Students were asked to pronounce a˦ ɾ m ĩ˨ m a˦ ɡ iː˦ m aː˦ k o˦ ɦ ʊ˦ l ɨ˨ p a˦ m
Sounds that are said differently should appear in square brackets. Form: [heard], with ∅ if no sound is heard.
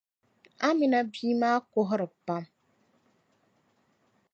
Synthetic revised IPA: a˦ [∅] m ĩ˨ [n] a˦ [b] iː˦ m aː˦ k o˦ ɦ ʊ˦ [ɾ] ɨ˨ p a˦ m